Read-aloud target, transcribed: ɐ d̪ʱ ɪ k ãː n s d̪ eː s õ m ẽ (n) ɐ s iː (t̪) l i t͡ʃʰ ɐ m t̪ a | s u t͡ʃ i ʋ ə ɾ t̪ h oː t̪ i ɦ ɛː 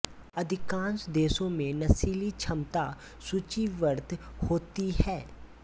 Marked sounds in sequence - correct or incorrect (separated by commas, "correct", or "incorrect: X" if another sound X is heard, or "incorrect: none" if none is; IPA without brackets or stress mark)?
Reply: correct, incorrect: none